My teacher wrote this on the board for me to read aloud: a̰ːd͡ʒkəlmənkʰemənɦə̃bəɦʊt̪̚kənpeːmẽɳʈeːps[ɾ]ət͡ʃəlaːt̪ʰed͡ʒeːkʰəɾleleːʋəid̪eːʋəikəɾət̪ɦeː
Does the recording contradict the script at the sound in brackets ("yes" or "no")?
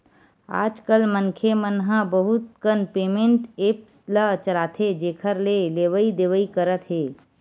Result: yes